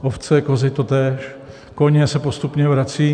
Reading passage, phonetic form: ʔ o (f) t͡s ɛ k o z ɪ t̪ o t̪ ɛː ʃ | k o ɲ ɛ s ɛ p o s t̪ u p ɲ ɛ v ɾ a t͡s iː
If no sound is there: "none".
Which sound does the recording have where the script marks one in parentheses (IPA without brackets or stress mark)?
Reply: f